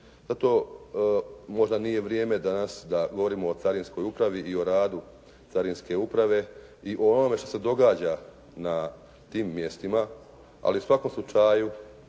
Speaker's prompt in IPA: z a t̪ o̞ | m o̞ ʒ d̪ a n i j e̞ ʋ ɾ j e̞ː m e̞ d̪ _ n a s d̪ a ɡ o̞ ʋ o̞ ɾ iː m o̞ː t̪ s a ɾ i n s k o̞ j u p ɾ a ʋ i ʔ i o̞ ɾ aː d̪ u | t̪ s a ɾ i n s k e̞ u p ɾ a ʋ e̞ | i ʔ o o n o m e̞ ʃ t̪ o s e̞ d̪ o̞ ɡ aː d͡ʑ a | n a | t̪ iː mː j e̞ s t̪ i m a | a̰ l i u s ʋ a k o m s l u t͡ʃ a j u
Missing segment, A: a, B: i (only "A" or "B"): A